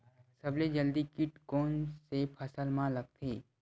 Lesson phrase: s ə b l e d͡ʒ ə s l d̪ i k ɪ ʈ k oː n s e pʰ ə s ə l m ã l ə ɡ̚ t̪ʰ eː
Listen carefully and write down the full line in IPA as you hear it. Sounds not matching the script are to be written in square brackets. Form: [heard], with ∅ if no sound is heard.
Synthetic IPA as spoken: s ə b l e d͡ʒ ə [∅] l d̪ i k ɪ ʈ k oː n s e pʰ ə s ə l m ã l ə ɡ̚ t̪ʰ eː